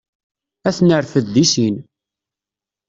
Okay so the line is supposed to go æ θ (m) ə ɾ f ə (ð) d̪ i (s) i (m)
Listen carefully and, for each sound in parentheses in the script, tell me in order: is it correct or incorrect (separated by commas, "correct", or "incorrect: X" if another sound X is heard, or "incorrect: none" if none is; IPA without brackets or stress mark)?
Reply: incorrect: n, correct, correct, incorrect: n